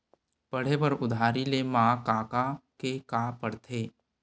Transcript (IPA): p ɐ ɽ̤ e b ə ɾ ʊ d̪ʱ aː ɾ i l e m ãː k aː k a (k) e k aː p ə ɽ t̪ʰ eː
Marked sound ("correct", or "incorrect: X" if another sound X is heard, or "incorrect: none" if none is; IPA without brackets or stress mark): correct